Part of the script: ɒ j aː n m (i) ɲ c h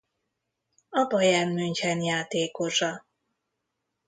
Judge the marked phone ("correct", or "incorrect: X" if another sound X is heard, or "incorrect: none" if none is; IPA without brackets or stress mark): incorrect: y